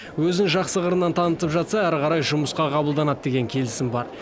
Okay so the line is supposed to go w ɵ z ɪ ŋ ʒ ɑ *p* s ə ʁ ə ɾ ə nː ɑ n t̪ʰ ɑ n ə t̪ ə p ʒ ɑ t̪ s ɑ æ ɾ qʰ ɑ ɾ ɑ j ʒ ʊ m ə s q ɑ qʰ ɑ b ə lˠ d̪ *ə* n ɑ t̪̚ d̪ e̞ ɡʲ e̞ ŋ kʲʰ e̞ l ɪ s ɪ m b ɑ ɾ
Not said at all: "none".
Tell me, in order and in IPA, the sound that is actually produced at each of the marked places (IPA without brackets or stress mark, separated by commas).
q, ɑ